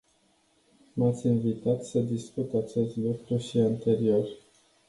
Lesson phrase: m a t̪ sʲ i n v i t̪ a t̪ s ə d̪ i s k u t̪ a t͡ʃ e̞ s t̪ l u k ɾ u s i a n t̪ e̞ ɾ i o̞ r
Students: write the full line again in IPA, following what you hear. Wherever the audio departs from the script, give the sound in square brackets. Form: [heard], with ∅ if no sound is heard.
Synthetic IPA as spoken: m a t̪ sʲ i n v i t̪ a t̪ s ə d̪ i s k u t̪ a t͡ʃ e̞ s t̪ l u k ɾ u [ʃ] i a n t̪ e̞ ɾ i o̞ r

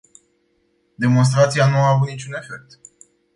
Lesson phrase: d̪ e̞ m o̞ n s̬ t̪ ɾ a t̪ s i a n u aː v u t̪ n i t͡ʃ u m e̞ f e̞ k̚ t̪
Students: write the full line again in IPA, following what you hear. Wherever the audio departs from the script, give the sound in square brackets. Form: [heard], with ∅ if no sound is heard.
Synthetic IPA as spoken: d̪ e̞ m o̞ n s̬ t̪ ɾ a t̪ s i a n u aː v u t̪ n i t͡ʃ u [n] e̞ f e̞ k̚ t̪

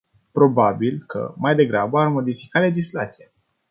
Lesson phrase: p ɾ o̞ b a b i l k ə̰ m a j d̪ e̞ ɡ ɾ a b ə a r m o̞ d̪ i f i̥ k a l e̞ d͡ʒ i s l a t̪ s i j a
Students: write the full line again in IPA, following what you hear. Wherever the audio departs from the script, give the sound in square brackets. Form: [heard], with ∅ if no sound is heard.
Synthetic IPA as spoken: p ɾ o̞ b a b i l k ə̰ m a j d̪ e̞ ɡ ɾ a b ə a r m o̞ d̪ i f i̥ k a l e̞ d͡ʒ i s l a t̪ s i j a

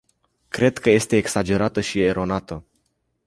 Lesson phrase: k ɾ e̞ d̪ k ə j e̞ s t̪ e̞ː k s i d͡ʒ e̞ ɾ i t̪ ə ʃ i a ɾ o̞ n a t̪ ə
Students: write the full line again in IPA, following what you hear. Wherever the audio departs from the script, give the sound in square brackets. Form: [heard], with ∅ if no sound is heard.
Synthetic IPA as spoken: k ɾ e̞ d̪ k ə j e̞ s t̪ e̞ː k s [a] d͡ʒ e̞ ɾ [a] t̪ ə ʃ i [e] ɾ o̞ n a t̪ ə

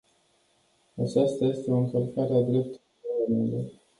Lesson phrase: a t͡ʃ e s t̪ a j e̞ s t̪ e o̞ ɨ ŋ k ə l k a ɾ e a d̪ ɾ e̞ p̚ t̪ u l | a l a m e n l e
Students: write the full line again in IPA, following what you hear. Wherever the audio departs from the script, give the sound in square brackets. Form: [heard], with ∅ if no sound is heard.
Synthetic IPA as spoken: a t͡ʃ [a] s t̪ a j e̞ s t̪ e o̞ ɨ ŋ k ə l k a ɾ e a d̪ ɾ e̞ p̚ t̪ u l | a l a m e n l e

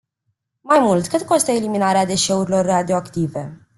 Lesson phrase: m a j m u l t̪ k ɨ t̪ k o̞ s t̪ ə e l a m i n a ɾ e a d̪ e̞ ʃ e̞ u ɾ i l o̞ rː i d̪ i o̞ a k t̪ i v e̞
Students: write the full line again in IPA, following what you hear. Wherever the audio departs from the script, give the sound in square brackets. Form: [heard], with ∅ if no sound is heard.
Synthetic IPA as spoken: m a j m u l t̪ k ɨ t̪ k o̞ s t̪ ə e l [i] m i n a ɾ e a d̪ e̞ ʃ e̞ u ɾ i l o̞ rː [a] d̪ i o̞ a k t̪ i v e̞

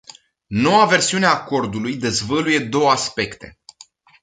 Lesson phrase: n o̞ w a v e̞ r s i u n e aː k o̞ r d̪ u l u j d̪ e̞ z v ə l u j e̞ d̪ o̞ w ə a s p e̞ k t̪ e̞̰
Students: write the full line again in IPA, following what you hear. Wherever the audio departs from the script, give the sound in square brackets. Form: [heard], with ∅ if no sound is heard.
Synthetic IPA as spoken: n o̞ w a v e̞ r s i u n e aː k o̞ r d̪ u l u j d̪ e̞ z v ə l u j e̞ d̪ o̞ w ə a s p e̞ k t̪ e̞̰

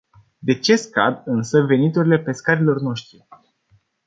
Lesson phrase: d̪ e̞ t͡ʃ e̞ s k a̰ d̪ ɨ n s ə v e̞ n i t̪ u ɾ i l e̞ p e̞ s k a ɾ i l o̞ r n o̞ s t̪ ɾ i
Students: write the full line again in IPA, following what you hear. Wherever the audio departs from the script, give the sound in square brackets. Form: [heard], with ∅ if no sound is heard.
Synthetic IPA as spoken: d̪ e̞ t͡ʃ e̞ s k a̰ d̪ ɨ n s ə v e̞ n i t̪ u ɾ i l e̞ p e̞ s k a ɾ i l o̞ r n o̞ [ʃ] t̪ ɾ i

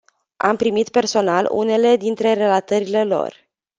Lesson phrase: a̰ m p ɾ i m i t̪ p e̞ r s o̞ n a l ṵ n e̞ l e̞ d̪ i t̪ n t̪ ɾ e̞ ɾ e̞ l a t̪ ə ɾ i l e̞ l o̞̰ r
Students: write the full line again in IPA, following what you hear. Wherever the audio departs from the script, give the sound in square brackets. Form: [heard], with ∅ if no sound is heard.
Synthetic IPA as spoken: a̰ m p ɾ i m i t̪ p e̞ r s o̞ n a l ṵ n e̞ l e̞ d̪ i [∅] n t̪ ɾ e̞ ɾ e̞ l a t̪ ə ɾ i l e̞ l o̞̰ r

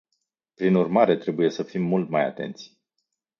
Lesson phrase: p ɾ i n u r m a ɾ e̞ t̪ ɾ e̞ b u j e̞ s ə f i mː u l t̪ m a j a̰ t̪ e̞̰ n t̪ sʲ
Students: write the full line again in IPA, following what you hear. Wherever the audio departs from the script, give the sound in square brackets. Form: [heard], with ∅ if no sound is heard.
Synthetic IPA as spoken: p ɾ i n u r m a ɾ e̞ t̪ ɾ e̞ b u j e̞ s ə f i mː u l t̪ m a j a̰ t̪ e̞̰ n t̪ sʲ

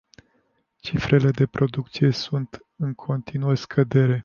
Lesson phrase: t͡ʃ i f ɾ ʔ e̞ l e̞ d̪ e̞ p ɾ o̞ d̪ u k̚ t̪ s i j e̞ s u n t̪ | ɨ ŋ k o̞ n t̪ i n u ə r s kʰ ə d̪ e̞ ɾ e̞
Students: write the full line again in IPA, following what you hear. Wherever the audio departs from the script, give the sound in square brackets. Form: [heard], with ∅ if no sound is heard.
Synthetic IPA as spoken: t͡ʃ i f ɾ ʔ e̞ l e̞ d̪ e̞ p ɾ o̞ d̪ u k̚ t̪ s i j e̞ s u n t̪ | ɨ ŋ [kʰ] o̞ n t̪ i n u ə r s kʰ ə d̪ e̞ ɾ e̞

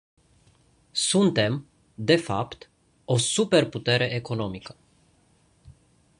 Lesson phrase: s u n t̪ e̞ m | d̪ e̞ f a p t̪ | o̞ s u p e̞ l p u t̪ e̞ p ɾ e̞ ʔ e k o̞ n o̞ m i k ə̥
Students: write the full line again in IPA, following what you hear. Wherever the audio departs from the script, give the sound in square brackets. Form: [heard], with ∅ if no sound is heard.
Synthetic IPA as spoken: s u n t̪ e̞ m | d̪ e̞ f a p t̪ | o̞ s u p e̞ [r] p u t̪ e̞ [∅] ɾ e̞ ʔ e k o̞ n o̞ m i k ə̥

